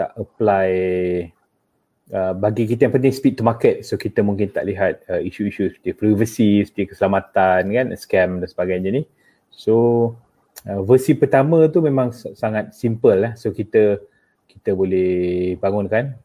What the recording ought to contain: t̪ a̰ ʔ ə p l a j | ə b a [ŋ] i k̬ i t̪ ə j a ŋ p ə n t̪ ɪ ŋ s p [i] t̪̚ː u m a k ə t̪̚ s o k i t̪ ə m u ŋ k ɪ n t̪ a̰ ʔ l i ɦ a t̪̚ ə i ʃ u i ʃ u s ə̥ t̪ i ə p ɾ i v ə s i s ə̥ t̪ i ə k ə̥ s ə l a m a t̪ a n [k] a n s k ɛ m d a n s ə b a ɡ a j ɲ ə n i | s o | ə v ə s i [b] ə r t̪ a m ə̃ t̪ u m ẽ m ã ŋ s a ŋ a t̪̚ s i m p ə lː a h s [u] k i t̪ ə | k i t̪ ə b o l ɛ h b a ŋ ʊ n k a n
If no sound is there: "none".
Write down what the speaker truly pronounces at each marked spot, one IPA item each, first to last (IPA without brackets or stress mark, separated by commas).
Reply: ɡ, i, k, p, o